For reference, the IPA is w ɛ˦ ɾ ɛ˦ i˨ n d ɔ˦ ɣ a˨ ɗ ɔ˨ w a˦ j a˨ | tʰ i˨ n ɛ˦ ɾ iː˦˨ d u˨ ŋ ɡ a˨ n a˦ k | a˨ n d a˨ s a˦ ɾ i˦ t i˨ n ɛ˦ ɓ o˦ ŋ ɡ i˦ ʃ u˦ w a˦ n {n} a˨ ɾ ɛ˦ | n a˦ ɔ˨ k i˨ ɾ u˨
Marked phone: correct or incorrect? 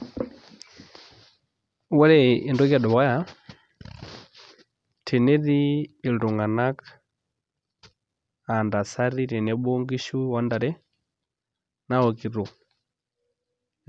incorrect: d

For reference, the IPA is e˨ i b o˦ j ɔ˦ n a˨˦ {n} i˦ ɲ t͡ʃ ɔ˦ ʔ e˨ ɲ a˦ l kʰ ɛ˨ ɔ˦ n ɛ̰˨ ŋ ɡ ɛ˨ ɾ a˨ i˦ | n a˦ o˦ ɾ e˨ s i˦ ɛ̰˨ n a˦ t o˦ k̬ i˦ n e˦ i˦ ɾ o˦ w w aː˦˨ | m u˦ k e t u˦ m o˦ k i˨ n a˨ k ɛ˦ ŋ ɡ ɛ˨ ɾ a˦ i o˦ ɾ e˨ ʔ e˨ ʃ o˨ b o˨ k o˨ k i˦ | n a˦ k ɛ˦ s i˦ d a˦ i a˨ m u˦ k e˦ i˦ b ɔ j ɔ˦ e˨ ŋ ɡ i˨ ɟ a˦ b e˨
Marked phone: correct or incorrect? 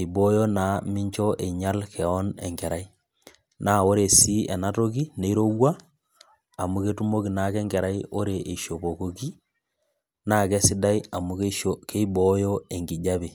incorrect: m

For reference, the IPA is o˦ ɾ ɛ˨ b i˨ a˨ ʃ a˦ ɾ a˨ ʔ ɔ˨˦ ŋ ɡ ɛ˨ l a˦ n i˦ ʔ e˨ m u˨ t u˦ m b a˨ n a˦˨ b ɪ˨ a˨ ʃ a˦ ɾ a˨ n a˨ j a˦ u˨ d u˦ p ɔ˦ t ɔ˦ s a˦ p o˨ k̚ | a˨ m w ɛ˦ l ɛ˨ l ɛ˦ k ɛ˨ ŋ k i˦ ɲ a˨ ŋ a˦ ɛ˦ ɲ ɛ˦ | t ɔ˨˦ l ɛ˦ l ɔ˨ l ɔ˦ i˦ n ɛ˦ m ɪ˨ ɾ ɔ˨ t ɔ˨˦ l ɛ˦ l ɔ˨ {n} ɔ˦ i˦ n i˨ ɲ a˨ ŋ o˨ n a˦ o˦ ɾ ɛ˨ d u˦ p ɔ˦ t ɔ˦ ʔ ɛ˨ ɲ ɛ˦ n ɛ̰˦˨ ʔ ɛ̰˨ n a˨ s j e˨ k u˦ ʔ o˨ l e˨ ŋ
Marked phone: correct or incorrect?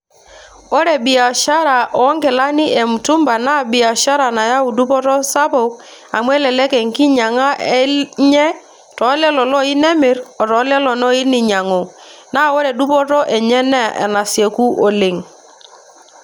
correct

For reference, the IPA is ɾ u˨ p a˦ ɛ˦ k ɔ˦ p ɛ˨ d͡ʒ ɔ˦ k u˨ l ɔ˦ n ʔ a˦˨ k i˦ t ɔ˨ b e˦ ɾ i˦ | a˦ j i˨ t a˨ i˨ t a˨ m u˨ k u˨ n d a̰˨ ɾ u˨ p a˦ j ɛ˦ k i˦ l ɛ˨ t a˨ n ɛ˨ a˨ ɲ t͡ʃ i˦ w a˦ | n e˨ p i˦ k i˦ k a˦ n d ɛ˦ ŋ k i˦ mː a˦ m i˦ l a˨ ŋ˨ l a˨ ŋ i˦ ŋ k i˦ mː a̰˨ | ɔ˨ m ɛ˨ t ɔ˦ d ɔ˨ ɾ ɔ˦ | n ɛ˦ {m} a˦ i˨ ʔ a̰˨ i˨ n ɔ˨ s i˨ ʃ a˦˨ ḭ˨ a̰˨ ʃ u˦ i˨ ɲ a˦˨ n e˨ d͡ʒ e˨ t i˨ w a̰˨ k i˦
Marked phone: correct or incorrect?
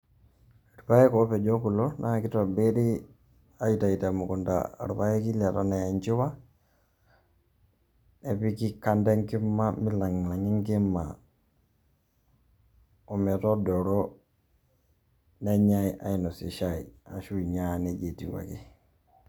incorrect: ɲ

